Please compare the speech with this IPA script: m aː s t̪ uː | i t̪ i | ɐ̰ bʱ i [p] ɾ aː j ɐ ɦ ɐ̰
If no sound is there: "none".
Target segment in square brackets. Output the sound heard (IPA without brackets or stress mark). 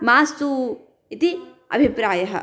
p